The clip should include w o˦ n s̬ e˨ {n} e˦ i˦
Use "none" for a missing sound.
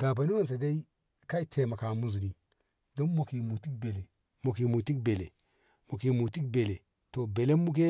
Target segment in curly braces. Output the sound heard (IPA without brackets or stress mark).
d